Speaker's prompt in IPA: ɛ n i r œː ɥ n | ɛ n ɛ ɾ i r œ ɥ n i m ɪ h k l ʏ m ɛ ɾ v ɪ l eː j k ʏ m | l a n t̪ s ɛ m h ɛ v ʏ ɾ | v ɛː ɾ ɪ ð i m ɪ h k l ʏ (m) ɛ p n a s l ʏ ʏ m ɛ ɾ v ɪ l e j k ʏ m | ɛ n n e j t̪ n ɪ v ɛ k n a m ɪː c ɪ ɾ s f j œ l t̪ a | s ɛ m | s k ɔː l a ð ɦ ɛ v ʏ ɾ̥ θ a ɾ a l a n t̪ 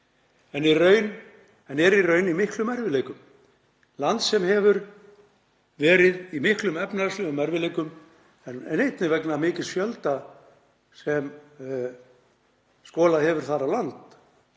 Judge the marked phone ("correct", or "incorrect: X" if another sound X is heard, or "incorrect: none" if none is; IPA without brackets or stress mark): correct